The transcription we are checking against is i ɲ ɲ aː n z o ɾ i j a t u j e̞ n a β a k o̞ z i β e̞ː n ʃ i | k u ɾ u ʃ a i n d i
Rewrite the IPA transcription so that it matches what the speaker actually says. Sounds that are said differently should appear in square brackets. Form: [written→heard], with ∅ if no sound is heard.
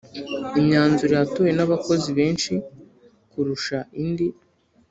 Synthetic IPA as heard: i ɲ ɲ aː n z [o→u] ɾ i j a t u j e̞ n a β a k o̞ z i β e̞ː n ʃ i | k u ɾ u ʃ a i n d i